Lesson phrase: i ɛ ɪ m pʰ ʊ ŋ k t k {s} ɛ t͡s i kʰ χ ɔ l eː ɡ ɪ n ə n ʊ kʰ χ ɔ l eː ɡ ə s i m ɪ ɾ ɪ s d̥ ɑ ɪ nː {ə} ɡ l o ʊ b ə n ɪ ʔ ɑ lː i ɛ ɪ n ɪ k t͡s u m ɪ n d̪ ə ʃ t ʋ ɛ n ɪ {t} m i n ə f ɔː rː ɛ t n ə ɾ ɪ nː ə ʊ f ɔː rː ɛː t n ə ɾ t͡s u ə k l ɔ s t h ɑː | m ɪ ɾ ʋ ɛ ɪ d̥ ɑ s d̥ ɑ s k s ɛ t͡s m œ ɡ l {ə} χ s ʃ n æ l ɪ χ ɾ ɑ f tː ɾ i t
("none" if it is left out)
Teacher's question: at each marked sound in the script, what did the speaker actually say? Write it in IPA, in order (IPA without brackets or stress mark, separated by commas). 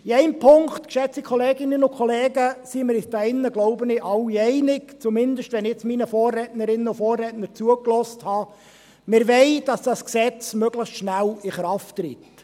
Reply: ʃ, ə, t͡s, ə